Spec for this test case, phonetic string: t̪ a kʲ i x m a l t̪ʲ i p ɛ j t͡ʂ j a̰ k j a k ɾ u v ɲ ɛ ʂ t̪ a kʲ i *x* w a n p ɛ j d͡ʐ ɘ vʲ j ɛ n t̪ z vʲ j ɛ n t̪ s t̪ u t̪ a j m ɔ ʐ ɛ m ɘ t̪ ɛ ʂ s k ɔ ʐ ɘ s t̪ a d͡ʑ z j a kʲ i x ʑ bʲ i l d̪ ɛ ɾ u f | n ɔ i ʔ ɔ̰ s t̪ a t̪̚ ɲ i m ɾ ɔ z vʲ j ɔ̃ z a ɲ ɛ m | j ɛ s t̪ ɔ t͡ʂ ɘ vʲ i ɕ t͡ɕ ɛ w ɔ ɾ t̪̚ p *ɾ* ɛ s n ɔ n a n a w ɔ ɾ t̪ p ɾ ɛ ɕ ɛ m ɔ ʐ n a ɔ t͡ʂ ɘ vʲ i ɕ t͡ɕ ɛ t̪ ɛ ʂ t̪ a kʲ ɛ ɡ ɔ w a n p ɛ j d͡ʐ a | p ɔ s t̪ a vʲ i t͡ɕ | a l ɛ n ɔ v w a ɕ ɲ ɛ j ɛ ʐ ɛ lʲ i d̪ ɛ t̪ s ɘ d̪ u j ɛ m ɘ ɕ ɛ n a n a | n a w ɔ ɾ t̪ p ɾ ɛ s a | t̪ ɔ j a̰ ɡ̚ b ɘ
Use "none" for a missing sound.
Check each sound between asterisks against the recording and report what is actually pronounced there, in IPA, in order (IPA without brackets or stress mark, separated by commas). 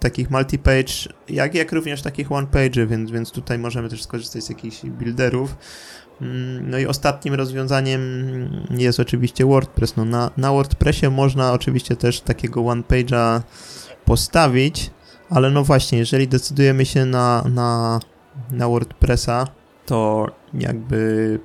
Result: x, ɾ